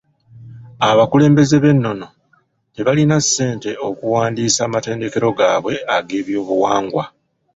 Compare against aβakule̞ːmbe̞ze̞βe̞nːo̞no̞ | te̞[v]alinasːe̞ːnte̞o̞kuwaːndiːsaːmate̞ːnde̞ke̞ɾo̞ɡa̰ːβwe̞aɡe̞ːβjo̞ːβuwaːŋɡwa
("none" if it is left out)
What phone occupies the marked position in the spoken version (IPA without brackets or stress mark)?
β